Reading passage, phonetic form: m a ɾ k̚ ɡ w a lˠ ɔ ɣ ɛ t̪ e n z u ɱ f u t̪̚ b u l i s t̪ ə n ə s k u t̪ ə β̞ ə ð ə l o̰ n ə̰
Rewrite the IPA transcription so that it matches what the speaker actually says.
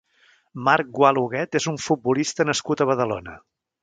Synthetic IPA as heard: m a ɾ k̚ ɡ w a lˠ u ɣ ɛ t̪ e z u ɱ f u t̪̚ b u l i s t̪ ə n ə s k u t̪ ə β̞ ə ð ə l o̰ n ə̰